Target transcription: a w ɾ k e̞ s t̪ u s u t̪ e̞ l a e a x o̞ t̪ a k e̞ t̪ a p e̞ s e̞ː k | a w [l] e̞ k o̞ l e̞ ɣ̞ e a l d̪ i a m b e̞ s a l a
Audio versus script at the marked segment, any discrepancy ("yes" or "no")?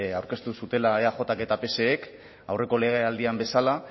yes